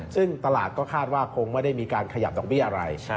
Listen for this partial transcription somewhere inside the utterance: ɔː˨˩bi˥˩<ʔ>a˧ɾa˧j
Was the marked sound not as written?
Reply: no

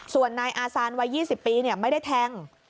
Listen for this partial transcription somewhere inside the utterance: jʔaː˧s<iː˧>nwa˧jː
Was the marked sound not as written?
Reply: yes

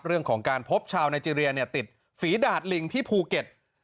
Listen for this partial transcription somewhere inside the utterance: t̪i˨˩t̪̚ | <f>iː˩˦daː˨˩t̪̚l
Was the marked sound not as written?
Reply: no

